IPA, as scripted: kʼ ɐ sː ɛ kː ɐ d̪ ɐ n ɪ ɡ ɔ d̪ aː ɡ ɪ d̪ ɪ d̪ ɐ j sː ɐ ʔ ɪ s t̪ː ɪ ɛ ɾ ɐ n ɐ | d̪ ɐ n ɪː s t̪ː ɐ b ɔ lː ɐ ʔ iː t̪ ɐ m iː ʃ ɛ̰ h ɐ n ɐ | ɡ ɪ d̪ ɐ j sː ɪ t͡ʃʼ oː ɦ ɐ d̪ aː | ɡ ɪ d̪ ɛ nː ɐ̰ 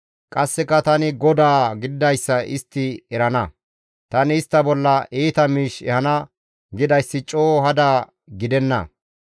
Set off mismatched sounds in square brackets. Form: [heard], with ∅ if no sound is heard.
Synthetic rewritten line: kʼ ɐ sː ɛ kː ɐ [t̪] ɐ n ɪ ɡ ɔ d̪ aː ɡ ɪ d̪ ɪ d̪ ɐ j sː ɐ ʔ ɪ s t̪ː ɪ ɛ ɾ ɐ n ɐ | [t̪] ɐ n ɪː s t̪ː ɐ b ɔ lː ɐ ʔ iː t̪ ɐ m iː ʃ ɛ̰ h ɐ n ɐ | ɡ ɪ d̪ ɐ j sː ɪ t͡ʃʼ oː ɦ ɐ d̪ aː | ɡ ɪ d̪ ɛ nː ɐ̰